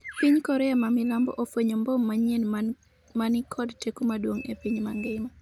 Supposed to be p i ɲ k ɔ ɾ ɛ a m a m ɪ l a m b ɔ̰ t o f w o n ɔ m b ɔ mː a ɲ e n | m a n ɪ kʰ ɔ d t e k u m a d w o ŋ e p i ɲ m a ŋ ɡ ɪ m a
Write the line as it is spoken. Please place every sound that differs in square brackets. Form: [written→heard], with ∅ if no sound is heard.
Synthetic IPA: p i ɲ k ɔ ɾ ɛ a m a m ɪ l a m b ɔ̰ [t→ʔ] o f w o [n→ɲ] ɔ m b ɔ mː a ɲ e n | m a n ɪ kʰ ɔ d t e k u m a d w o ŋ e p i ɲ m a ŋ ɡ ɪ m a